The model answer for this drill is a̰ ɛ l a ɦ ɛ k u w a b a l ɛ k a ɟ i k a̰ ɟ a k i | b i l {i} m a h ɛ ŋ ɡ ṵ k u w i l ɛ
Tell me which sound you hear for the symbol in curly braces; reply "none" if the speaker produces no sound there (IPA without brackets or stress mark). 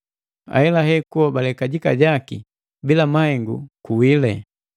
a